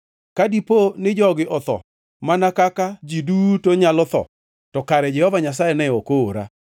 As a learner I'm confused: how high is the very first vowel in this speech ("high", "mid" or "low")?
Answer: low